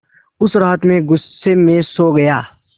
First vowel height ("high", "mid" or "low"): high